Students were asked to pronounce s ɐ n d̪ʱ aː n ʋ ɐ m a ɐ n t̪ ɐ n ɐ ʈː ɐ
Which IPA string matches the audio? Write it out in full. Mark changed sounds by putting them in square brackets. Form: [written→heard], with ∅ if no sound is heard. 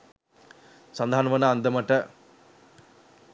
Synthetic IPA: s ɐ n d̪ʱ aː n ʋ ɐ [m→n] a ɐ n [t̪→d̪] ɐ [n→m] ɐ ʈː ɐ